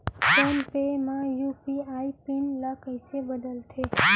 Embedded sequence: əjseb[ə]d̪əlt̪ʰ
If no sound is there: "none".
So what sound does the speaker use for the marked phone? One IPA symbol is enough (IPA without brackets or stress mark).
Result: ə